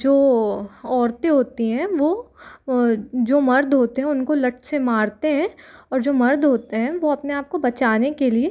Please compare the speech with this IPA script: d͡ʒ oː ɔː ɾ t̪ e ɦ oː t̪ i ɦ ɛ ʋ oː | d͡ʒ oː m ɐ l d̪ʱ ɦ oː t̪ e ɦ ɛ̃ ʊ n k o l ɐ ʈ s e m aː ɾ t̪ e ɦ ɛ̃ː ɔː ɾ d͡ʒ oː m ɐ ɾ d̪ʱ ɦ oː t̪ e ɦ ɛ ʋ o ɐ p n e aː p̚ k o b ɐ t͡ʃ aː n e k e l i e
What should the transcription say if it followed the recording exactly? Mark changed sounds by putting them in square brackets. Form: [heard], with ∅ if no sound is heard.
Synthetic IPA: d͡ʒ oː ɔː ɾ t̪ e ɦ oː t̪ i ɦ [ɛ̃] ʋ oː | d͡ʒ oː m ɐ [ɾ] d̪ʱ ɦ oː t̪ e ɦ ɛ̃ ʊ n k o l ɐ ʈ s e m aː ɾ t̪ e ɦ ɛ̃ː ɔː ɾ d͡ʒ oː m ɐ ɾ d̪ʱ ɦ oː t̪ e ɦ [ɛ̃] ʋ o ɐ p n e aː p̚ k o b ɐ t͡ʃ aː n e k e l i e